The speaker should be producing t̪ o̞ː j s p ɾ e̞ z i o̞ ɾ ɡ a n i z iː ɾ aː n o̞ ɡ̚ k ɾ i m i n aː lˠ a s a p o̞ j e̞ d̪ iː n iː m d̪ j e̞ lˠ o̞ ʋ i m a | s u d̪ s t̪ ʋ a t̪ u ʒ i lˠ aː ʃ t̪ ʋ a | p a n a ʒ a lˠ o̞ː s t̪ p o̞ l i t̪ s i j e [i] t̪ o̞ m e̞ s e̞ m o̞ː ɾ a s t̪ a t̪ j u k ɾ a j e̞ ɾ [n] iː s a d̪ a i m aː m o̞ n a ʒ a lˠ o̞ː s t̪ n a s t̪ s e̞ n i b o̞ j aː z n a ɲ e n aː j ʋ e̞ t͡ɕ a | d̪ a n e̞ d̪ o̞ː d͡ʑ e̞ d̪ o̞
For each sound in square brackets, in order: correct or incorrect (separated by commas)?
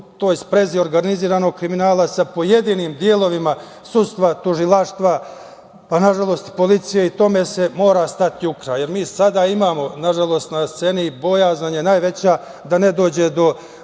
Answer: correct, incorrect